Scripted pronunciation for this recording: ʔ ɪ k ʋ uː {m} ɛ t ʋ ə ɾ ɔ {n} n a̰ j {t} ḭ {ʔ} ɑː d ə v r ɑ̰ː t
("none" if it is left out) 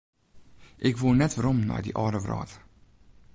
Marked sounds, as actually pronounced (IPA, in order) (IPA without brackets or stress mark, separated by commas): n, m, d, ʔ